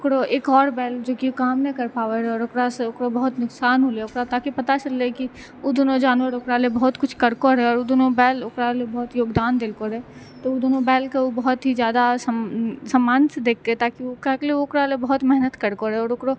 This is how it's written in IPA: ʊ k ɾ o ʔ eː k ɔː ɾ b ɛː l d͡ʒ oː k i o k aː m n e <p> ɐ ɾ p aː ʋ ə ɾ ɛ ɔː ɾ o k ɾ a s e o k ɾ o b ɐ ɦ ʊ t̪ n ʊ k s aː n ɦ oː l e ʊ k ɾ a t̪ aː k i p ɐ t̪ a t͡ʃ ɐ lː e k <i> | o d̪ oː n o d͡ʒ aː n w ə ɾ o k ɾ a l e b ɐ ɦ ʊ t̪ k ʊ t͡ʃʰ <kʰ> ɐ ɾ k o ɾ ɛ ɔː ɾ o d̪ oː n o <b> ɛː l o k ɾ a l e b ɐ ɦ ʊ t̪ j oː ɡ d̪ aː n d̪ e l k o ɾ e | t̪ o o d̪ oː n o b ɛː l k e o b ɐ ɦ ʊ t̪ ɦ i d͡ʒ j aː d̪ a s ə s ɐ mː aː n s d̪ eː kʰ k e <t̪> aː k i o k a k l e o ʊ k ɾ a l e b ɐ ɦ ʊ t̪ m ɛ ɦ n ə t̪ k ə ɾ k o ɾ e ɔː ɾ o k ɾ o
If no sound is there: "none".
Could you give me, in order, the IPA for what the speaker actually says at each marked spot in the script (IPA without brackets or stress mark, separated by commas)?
k, i, k, b, t̪